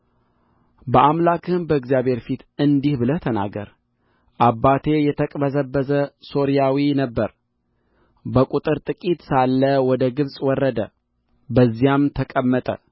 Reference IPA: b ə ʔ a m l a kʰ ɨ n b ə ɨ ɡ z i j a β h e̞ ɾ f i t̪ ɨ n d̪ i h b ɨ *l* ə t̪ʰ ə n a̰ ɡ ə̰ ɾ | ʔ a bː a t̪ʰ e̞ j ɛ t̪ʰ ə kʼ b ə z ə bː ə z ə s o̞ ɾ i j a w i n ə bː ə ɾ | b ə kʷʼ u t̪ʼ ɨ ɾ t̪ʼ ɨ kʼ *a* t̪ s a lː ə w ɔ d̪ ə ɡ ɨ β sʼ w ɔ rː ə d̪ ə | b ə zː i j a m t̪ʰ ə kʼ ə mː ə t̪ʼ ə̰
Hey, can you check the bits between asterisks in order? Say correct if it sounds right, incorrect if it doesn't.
correct, incorrect

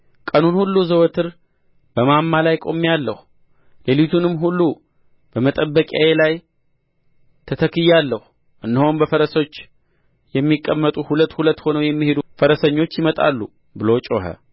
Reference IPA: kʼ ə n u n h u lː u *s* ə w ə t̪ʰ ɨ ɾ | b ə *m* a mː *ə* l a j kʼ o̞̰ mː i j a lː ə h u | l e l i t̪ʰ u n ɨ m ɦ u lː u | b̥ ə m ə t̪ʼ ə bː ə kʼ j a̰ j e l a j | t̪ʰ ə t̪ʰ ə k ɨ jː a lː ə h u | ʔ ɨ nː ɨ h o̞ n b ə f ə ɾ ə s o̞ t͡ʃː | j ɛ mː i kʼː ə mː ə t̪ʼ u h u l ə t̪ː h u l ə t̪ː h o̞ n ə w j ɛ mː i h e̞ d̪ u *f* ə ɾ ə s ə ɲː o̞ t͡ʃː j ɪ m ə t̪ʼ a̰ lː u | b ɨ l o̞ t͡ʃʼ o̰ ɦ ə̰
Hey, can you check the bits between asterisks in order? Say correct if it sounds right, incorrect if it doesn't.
incorrect, correct, incorrect, correct

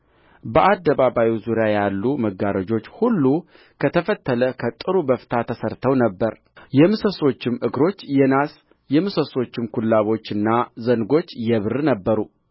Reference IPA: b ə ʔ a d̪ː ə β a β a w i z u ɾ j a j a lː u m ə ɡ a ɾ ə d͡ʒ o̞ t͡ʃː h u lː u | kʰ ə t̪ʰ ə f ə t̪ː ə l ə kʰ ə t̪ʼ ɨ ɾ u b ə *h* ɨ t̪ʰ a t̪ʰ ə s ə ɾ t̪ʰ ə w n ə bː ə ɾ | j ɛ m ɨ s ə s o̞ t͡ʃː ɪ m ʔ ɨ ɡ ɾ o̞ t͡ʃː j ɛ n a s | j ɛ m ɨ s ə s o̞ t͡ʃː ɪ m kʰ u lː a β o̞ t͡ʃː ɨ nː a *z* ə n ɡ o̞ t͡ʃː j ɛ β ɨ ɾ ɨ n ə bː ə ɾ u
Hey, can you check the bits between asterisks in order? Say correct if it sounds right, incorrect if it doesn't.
incorrect, correct

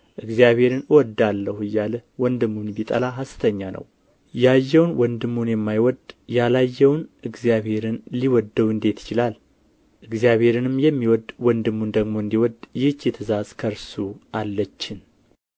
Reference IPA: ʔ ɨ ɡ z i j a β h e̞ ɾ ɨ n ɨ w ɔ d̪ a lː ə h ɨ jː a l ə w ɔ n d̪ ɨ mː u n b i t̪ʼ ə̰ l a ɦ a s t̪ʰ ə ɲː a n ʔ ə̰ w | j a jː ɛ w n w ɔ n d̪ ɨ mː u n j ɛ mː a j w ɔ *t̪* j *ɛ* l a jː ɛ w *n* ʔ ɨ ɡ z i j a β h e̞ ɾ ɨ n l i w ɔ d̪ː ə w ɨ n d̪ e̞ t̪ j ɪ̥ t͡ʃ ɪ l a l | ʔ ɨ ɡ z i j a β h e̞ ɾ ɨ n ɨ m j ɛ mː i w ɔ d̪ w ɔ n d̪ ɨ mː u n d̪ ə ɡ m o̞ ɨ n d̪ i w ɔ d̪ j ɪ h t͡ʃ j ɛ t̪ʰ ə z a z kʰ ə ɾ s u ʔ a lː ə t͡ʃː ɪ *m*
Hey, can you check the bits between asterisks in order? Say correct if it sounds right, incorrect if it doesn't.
incorrect, incorrect, correct, incorrect

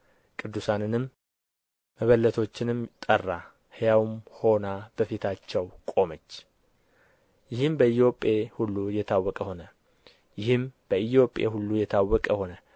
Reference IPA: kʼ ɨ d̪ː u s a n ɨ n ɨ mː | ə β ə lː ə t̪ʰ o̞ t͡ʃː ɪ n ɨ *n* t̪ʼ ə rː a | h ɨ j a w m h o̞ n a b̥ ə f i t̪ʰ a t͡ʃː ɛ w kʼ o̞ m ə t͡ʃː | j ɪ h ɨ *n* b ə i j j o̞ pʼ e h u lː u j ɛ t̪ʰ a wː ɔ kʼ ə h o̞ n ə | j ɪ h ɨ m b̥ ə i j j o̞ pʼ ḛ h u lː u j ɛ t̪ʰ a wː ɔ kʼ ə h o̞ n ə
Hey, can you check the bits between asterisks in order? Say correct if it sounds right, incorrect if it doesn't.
incorrect, incorrect

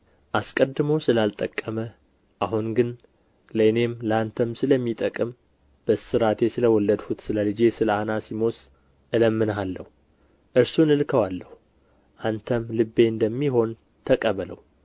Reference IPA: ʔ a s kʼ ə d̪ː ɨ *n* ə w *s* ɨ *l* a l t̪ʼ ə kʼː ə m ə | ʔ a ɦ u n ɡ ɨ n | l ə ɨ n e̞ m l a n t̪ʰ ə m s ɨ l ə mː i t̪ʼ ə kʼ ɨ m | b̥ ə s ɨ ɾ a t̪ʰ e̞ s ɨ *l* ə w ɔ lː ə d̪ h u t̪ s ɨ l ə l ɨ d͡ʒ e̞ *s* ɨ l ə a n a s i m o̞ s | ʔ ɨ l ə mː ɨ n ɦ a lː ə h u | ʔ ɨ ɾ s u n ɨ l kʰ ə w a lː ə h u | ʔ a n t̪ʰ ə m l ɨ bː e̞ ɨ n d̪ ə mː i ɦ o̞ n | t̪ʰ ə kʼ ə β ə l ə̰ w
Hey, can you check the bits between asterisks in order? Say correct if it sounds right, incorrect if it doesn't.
incorrect, correct, correct, correct, correct

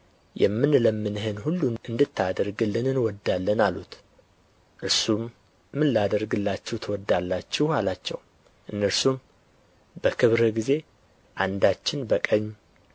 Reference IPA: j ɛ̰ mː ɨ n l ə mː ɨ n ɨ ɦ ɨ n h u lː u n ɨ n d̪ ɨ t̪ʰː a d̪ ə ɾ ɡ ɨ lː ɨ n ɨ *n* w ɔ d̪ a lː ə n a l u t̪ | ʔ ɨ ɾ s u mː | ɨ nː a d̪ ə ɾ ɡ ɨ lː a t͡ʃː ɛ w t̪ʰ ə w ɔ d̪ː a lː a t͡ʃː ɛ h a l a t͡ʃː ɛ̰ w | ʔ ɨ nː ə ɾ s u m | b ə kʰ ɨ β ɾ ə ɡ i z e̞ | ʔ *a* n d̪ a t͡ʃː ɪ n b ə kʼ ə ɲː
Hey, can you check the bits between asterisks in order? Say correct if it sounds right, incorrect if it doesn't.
correct, correct

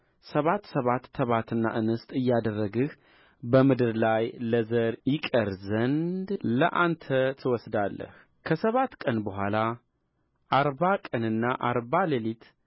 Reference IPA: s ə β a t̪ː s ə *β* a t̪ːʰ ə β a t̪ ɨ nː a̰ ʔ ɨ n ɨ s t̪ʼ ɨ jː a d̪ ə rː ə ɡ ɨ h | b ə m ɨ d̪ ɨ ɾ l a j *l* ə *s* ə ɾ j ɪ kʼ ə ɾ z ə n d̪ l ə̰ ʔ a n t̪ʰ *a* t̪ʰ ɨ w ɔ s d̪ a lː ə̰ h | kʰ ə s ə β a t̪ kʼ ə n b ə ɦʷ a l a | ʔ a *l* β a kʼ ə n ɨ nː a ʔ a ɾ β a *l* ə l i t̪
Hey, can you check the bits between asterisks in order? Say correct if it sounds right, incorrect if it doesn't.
correct, correct, incorrect, incorrect, incorrect, correct

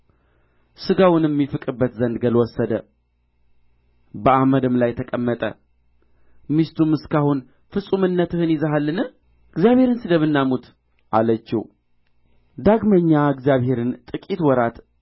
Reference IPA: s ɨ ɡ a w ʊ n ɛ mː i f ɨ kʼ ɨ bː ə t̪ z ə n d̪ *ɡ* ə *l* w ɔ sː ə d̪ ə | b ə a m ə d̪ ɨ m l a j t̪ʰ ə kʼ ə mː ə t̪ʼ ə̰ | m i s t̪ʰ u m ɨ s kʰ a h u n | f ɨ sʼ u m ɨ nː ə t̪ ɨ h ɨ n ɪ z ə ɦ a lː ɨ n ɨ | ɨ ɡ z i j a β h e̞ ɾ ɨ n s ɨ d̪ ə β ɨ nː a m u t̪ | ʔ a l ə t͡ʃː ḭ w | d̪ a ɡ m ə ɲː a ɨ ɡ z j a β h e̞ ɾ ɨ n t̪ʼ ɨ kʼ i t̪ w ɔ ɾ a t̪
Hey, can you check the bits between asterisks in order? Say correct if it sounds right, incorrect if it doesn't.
correct, correct

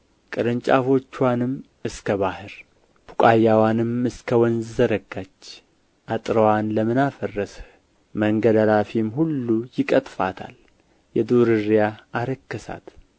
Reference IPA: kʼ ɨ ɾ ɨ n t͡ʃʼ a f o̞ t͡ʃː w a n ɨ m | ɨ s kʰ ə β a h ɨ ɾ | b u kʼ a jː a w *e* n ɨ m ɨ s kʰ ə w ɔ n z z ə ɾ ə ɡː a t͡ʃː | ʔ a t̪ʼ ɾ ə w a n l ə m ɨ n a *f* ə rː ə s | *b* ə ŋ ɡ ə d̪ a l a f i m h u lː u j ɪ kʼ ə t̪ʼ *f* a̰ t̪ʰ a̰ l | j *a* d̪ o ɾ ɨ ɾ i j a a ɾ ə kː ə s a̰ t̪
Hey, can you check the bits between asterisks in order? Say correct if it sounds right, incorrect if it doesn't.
incorrect, correct, incorrect, correct, incorrect

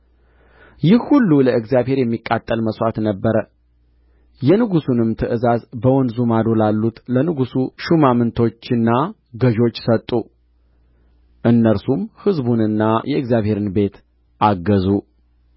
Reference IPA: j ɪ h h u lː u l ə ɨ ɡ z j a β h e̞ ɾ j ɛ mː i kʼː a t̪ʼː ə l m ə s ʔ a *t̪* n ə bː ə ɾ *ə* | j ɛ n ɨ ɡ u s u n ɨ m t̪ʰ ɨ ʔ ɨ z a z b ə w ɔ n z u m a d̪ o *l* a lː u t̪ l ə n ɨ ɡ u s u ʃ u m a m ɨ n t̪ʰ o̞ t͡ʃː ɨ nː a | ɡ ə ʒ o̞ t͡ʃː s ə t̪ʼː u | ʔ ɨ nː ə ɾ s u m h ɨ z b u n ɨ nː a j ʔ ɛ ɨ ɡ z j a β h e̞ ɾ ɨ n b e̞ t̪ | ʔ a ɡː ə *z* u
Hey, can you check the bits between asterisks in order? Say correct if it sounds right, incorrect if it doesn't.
correct, correct, correct, correct

